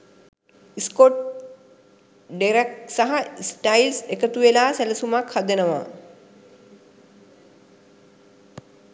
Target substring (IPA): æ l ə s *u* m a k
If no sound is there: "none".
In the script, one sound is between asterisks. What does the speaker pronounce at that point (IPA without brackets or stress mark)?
u